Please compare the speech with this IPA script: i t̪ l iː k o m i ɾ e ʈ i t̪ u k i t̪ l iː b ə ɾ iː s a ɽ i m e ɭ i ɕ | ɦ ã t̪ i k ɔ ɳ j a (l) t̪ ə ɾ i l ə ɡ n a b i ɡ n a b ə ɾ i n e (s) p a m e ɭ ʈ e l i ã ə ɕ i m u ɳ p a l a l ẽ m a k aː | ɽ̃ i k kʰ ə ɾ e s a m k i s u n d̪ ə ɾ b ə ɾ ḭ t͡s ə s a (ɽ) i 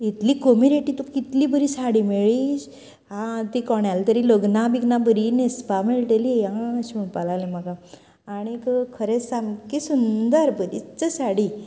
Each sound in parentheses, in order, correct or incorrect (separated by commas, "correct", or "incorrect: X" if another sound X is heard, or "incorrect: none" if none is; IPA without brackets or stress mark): correct, correct, correct